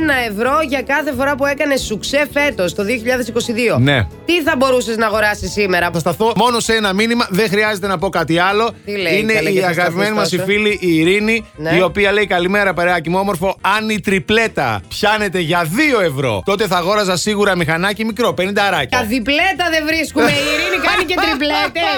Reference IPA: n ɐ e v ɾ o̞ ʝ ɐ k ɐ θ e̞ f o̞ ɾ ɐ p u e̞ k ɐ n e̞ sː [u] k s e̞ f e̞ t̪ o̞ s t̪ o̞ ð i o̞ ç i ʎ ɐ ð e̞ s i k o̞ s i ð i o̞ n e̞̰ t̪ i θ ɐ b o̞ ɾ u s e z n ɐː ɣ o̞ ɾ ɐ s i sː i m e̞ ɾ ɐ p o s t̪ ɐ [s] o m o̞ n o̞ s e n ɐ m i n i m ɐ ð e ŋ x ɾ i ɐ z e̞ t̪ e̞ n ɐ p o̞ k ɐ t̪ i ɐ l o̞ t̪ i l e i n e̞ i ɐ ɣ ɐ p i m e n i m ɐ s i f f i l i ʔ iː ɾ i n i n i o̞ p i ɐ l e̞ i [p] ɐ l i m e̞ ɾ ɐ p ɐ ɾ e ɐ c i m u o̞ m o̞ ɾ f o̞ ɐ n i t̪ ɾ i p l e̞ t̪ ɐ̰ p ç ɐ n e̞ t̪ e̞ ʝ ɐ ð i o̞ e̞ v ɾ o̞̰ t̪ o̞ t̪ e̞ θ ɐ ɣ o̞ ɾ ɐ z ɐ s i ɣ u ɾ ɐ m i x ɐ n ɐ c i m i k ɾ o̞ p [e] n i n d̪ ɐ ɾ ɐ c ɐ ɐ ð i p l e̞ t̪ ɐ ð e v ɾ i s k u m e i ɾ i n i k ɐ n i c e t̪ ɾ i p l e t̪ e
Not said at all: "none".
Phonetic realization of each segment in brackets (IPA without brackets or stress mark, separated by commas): u, θ, k, e